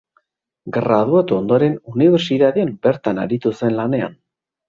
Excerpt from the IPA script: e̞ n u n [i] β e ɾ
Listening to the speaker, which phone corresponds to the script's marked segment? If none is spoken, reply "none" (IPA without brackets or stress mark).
i